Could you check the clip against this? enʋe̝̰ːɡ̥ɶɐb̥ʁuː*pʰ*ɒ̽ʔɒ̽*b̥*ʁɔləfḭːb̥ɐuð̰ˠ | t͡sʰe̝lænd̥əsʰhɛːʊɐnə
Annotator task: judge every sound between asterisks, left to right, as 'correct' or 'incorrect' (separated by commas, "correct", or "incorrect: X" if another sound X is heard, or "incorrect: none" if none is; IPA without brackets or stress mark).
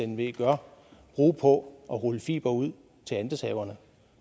correct, incorrect: none